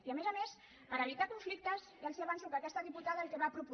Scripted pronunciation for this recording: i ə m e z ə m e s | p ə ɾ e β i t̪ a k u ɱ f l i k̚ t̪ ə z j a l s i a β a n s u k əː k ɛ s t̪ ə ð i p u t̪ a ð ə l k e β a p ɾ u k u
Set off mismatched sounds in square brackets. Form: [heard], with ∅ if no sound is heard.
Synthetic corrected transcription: i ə m e z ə m e s | p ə ɾ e β i t̪ a k u ɱ f l i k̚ t̪ ə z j a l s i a β a n s u k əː k ɛ s t̪ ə ð i p u t̪ a ð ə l k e β a p ɾ u [p] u

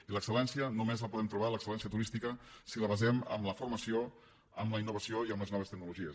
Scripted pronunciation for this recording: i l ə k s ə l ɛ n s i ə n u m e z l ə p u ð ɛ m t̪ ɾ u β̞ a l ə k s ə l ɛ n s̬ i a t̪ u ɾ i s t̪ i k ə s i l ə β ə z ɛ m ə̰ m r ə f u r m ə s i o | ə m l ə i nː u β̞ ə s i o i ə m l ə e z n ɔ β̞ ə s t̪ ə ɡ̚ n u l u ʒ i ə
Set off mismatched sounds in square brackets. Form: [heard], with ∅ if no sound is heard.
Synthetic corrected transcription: i l ə k s ə l ɛ n s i ə n u m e z l ə p u ð ɛ m t̪ ɾ u β̞ a l ə k s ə l ɛ n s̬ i [ə] t̪ u ɾ i s t̪ i k ə s i l ə β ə z ɛ m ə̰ m [l] ə f u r m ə s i o | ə m l ə i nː u β̞ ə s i o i ə m l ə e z n ɔ β̞ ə s t̪ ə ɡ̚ n u l u ʒ i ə

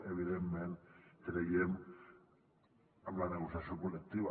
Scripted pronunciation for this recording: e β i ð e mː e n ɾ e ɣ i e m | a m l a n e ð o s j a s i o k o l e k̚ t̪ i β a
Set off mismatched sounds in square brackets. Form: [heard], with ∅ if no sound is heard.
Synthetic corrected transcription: e β i ð e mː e n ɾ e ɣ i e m | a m l a n e [ɣ] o s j a s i o k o l e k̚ t̪ i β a

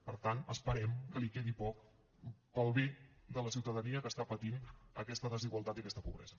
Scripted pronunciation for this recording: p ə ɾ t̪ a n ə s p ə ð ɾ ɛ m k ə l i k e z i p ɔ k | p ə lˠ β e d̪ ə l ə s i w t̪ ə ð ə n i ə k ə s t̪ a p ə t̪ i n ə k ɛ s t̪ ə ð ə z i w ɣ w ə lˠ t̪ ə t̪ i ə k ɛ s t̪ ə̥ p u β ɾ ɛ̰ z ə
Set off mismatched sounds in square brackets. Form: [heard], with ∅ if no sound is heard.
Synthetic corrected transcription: p ə ɾ t̪ a n ə s p ə [∅] ɾ ɛ m k ə l i k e [ð] i p ɔ k | p ə lˠ β e d̪ ə l ə s i w t̪ ə ð ə n i ə k ə s t̪ a p ə t̪ i n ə k ɛ s t̪ ə ð ə z i [∅] ɣ w ə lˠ t̪ [a] t̪ i ə k ɛ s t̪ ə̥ p u β ɾ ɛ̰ z ə

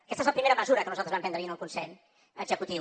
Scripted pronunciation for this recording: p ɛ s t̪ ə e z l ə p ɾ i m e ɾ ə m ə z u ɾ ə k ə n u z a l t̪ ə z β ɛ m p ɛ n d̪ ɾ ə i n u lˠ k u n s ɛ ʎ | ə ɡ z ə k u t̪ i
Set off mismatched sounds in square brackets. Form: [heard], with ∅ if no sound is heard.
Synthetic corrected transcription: [k] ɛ s t̪ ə e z l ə p ɾ i m e ɾ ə m ə z u ɾ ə k ə n u z a l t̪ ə z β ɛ m p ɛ n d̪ ɾ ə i n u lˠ k u n s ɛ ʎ | ə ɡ z ə k u t̪ i

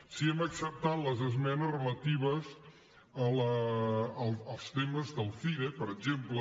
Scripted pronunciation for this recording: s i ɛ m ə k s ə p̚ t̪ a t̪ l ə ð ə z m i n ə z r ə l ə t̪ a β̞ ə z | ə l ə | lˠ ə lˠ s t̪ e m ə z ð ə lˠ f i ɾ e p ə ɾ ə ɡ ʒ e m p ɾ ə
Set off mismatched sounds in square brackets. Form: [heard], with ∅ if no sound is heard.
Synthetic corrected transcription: s i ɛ m ə k s ə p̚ t̪ a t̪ l ə [z] ə z m [ɛ] n ə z r ə l ə t̪ [i] β̞ ə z | ə l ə | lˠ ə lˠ s t̪ e m ə z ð ə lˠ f i ɾ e p ə ɾ ə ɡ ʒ e m p [l] ə

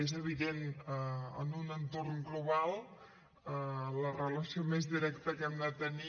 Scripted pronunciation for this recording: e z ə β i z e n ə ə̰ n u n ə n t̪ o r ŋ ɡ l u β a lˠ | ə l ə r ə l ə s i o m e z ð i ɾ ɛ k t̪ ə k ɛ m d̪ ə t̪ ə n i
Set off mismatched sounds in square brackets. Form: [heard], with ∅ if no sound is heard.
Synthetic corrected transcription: e z ə β i [ð] e n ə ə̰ n u n ə n t̪ o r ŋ ɡ l u β a lˠ | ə l ə r ə l ə s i o m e z ð i ɾ ɛ k t̪ ə k ɛ m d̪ ə t̪ ə n i

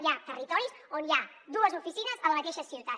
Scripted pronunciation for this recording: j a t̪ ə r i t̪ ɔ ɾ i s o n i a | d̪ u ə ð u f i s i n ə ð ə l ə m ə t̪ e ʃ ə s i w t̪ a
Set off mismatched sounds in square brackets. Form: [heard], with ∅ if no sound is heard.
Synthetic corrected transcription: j a t̪ ə r i t̪ ɔ ɾ i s o n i a | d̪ u ə [z] u f i s i n ə [z] ə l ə m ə t̪ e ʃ ə s i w t̪ a

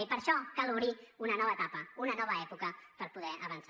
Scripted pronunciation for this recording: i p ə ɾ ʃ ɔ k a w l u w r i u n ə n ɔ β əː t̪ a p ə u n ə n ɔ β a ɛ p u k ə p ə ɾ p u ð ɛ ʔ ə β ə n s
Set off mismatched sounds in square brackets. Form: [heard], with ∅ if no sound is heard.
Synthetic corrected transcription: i p ə ɾ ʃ ɔ k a [∅] l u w [ɾ] i u n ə n ɔ β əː t̪ a p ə u n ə n ɔ β [ə] ɛ p u k ə p ə ɾ p u ð ɛ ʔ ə β ə n s

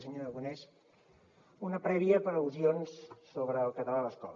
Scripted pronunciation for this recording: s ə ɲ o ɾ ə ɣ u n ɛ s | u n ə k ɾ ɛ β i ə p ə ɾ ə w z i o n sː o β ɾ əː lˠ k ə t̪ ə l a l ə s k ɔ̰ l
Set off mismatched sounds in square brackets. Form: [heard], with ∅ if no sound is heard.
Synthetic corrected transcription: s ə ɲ o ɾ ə ɣ u n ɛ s | u n ə [p] ɾ ɛ β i ə p ə ɾ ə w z i o n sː o β ɾ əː lˠ k ə t̪ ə l a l ə s k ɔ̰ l

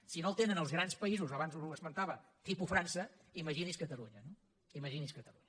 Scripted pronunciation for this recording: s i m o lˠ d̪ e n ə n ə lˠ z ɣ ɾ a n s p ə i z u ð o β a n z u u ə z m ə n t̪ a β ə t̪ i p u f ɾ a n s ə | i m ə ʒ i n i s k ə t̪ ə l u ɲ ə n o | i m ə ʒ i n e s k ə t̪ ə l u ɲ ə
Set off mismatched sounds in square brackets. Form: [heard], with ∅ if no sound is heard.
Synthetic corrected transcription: s i [n] o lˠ [t̪] e n ə n ə lˠ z ɣ ɾ a n s p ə i z u [z] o β a n z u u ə z m ə n t̪ a β ə t̪ i p u f ɾ a n s ə | i m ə ʒ i n i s k ə t̪ ə l u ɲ ə n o | i m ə ʒ i n [i] s k ə t̪ ə l u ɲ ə

